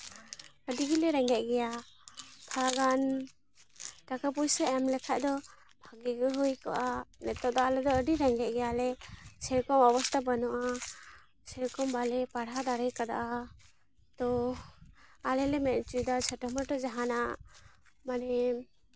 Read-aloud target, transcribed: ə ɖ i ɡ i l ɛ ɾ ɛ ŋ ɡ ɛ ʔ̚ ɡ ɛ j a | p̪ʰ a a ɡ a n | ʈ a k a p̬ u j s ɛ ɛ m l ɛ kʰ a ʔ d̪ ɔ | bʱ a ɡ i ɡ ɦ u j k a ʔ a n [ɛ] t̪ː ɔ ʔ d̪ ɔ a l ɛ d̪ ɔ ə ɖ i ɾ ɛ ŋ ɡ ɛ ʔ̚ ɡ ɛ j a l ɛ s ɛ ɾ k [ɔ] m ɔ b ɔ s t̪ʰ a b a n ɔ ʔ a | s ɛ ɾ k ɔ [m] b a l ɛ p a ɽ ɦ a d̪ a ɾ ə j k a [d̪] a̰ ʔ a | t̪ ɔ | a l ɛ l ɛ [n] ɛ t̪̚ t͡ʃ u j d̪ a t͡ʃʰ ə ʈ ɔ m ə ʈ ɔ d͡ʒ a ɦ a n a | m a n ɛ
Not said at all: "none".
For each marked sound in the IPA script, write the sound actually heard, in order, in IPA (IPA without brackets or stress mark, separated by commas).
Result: ɛ, ɔ, m, d̪, m